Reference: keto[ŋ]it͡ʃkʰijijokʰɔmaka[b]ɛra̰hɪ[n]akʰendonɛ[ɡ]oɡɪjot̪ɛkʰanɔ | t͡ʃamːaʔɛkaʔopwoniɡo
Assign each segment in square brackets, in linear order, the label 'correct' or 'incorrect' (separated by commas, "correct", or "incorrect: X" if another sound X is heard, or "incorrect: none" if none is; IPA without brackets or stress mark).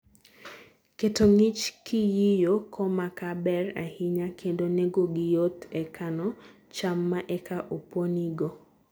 correct, correct, incorrect: ɲ, correct